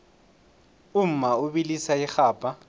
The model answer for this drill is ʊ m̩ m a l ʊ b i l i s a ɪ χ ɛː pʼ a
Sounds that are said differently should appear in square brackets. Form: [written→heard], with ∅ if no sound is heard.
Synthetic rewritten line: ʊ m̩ m a [l→∅] ʊ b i l i s a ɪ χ [ɛː→aː] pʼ a